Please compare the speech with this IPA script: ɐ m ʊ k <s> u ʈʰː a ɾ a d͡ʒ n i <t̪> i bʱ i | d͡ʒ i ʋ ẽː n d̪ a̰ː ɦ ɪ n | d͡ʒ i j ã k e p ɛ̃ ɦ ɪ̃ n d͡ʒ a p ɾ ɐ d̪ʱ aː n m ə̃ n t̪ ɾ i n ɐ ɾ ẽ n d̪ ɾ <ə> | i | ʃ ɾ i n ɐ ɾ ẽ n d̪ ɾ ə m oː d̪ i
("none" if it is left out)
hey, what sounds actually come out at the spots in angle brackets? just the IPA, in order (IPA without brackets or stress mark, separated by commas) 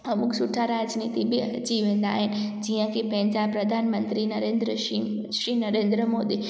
s, t̪, ə